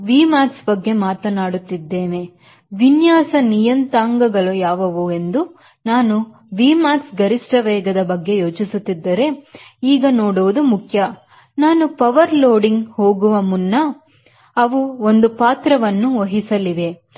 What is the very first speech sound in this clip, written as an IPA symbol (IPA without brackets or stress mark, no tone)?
ʋ